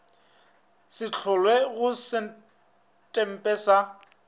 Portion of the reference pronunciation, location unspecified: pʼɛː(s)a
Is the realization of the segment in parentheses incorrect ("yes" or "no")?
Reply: no